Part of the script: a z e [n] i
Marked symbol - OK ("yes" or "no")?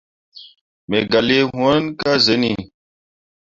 yes